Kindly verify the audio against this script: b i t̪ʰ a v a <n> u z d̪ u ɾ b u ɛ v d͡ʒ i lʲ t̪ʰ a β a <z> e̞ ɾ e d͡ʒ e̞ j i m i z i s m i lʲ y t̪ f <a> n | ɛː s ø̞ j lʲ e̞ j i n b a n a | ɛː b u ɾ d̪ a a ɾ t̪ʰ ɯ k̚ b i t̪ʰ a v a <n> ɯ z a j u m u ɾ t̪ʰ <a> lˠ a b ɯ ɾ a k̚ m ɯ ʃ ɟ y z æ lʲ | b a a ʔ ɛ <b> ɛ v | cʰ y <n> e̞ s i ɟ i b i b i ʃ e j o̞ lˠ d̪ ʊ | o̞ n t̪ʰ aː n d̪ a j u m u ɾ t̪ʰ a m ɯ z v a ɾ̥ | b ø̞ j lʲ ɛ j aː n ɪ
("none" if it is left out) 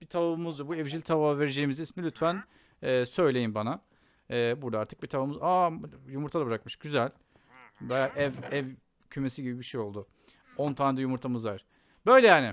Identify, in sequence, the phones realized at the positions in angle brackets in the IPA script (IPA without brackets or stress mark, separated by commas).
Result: m, v, æ, m, a, v, m